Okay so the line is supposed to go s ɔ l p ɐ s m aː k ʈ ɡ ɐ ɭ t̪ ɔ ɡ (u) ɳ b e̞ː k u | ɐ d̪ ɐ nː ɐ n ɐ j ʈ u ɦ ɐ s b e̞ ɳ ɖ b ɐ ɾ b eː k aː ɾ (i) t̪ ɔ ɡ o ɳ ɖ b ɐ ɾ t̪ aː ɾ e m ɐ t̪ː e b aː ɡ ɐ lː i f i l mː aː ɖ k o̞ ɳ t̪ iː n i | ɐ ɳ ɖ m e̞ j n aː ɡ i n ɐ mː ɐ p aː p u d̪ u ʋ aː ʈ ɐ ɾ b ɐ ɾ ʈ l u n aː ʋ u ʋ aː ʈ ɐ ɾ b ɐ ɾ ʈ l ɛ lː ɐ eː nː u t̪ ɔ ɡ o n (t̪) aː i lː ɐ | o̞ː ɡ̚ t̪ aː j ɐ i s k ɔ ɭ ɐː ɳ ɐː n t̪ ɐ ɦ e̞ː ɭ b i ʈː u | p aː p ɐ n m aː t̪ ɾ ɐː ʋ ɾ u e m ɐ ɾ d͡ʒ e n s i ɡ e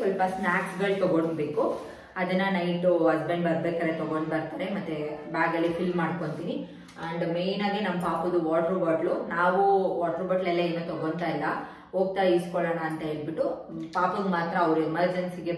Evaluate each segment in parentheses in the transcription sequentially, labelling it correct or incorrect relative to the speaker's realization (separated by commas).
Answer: incorrect, incorrect, correct